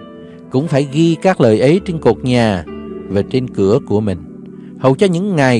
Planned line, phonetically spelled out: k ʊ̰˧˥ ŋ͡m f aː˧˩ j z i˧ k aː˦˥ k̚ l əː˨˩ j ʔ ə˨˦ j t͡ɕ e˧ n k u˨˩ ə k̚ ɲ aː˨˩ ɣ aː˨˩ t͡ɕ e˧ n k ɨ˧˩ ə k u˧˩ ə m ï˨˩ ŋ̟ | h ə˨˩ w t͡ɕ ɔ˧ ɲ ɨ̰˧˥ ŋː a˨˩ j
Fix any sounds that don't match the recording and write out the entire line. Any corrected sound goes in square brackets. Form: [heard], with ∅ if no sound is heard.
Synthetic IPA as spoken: k ʊ̰˧˥ ŋ͡m f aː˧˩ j [ɣ] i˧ k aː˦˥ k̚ l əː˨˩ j ʔ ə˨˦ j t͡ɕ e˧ n k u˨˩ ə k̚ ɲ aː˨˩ [v] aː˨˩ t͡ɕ e˧ n k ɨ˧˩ ə k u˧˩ ə m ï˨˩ ŋ̟ | h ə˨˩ w t͡ɕ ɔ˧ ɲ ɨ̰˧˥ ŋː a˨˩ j